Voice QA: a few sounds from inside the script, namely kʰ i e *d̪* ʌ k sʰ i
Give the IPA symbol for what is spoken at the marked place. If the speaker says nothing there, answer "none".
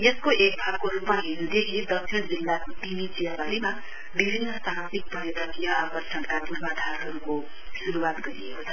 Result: d̪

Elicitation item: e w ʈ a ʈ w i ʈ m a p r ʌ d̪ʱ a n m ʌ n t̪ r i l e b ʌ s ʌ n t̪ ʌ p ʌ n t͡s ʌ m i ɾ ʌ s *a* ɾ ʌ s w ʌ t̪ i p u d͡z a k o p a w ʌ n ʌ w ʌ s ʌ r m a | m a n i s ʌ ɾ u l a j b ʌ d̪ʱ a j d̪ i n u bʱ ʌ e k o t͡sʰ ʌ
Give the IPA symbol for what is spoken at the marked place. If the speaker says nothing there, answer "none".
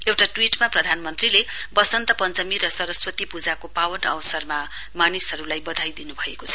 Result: ʌ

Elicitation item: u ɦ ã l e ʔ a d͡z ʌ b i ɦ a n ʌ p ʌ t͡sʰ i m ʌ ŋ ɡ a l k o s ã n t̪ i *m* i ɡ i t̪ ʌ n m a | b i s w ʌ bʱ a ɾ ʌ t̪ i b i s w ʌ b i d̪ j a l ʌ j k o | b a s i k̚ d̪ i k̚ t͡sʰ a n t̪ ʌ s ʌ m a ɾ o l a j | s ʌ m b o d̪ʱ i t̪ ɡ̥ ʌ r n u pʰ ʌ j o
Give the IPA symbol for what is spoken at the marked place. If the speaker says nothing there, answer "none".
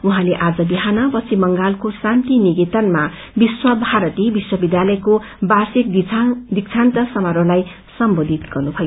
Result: n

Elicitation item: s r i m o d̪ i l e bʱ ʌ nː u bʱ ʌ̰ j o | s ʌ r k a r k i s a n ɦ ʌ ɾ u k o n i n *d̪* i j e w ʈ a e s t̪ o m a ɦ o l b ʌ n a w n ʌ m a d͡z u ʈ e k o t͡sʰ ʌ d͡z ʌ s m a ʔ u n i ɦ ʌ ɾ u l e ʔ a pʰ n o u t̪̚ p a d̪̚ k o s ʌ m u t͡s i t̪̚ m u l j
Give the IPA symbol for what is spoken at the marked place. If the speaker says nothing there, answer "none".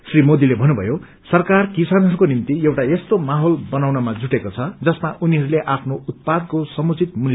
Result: t̪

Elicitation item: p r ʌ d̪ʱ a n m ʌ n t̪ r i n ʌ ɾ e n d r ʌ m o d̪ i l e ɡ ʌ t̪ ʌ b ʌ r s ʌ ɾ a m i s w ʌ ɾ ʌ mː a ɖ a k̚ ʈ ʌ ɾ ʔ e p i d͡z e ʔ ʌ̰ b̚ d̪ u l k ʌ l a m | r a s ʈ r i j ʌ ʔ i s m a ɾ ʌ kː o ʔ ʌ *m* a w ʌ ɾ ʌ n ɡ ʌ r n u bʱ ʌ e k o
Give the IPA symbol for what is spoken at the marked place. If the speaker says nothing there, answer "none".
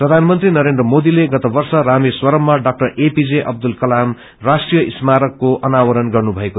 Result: n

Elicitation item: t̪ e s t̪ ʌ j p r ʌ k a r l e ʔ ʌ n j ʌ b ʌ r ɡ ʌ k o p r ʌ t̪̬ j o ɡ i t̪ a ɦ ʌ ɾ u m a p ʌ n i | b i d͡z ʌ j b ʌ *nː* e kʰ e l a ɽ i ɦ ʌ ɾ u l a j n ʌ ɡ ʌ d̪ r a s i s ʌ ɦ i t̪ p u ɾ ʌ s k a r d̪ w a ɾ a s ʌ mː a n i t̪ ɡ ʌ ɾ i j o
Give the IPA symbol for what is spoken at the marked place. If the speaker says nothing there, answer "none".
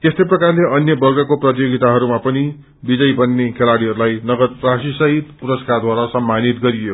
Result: nː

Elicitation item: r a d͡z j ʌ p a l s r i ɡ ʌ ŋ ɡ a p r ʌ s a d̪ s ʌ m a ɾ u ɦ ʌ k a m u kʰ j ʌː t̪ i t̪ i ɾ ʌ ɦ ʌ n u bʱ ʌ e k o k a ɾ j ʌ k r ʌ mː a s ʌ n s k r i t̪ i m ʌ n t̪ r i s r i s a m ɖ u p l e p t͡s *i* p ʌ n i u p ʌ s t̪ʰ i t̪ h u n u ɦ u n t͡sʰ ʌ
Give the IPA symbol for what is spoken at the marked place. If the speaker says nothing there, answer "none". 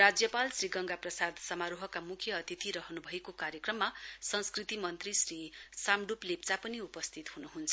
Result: a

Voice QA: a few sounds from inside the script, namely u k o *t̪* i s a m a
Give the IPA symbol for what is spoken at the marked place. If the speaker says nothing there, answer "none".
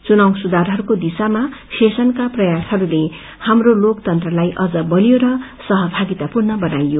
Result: d̪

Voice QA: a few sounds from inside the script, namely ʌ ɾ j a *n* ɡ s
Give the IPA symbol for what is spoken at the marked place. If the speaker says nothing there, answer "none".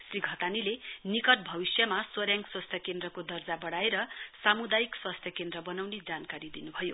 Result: ŋ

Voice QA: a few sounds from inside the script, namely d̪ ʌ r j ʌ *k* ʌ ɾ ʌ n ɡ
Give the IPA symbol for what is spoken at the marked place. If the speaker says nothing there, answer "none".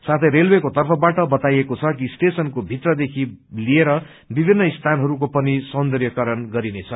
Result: k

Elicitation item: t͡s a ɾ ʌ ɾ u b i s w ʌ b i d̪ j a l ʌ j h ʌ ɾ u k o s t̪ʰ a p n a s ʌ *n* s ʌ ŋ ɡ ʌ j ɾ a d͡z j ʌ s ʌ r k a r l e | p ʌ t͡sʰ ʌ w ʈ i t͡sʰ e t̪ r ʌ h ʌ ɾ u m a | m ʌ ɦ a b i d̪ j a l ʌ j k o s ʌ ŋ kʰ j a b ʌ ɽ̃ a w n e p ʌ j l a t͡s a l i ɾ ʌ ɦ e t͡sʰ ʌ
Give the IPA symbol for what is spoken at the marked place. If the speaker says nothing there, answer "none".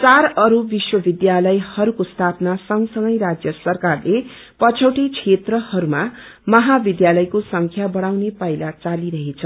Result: ŋ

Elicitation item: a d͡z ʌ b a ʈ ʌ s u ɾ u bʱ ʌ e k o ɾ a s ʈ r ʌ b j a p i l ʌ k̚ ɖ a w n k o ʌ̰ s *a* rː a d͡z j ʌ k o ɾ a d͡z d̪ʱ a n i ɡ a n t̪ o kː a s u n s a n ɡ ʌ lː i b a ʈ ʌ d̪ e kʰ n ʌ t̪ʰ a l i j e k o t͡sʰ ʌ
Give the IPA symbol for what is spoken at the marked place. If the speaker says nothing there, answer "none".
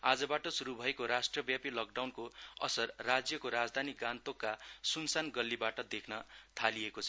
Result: ʌ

